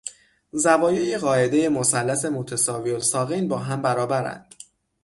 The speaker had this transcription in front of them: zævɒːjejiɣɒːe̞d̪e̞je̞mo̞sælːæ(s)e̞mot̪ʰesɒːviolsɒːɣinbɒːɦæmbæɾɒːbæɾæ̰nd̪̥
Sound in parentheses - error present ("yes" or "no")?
no